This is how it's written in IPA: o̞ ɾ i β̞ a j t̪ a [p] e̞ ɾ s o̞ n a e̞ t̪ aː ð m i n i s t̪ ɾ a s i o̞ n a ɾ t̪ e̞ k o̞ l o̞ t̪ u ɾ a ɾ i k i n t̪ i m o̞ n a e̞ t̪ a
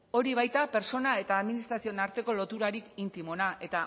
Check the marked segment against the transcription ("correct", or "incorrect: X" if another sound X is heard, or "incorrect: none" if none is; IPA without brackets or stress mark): correct